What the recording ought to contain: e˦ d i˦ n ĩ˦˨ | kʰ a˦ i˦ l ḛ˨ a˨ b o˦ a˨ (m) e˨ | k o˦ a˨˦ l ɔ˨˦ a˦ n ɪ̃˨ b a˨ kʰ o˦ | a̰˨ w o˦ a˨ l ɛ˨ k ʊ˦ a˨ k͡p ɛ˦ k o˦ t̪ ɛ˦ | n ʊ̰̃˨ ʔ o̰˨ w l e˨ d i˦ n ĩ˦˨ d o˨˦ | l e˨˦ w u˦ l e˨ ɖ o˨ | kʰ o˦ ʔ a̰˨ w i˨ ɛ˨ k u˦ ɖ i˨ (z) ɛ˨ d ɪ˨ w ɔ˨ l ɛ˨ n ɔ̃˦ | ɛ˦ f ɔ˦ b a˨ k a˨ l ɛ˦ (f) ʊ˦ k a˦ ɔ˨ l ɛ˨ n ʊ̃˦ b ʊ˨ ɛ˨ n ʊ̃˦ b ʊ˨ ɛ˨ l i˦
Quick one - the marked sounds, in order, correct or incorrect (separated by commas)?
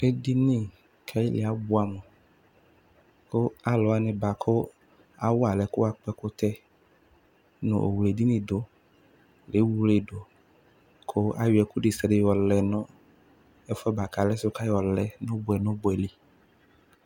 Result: correct, incorrect, incorrect